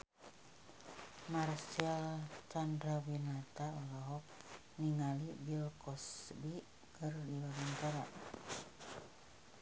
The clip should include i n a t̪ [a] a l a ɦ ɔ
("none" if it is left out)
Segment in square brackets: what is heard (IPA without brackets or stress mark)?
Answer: a